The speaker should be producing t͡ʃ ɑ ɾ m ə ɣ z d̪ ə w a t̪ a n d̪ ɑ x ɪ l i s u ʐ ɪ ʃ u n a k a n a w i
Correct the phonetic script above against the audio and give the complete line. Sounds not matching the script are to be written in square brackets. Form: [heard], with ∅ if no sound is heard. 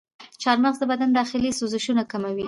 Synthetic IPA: t͡ʃ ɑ ɾ m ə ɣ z d̪ ə [b] a [d̪] a n d̪ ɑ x ɪ l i s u [z] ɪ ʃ u n a k a [m] a w i